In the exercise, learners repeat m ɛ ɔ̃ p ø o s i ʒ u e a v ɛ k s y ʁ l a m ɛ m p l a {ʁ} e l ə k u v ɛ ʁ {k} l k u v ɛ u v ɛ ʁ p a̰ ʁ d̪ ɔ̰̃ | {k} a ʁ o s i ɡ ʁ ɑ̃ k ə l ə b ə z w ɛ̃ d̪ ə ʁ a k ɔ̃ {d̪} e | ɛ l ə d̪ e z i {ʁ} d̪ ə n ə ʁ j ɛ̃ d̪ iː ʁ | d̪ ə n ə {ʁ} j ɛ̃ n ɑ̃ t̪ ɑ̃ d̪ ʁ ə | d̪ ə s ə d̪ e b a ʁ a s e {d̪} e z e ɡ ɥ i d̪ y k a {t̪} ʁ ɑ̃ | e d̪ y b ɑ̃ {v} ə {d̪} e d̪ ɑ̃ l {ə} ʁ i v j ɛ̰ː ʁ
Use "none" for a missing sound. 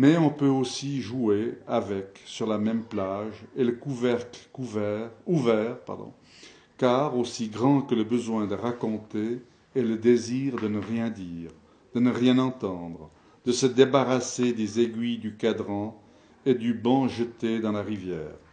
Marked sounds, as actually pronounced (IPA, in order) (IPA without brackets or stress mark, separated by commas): ʒ, k, k, t̪, ʁ, ʁ, d̪, d̪, ʒ, t̪, a